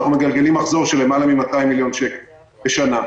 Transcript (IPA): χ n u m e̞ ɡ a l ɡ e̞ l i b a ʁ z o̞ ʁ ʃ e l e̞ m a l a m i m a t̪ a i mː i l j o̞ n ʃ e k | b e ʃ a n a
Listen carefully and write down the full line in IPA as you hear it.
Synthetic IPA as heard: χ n u m e̞ ɡ a l ɡ e̞ l i m a χ z o̞ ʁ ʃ e l e̞ m a l a m i m a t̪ a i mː i l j o̞ n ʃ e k | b e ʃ a n a